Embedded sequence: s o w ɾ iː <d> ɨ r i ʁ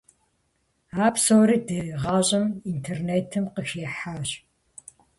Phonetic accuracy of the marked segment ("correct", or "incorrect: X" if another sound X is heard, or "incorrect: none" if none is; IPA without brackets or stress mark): correct